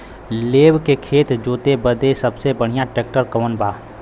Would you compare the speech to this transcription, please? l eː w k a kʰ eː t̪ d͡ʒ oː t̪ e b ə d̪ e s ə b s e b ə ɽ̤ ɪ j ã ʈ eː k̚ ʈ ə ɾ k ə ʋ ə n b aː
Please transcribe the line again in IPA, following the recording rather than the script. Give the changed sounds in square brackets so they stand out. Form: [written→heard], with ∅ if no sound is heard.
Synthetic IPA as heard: l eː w k [a→e] kʰ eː t̪ d͡ʒ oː t̪ e b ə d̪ e s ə b s e b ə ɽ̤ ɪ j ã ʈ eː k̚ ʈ ə ɾ k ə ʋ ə n b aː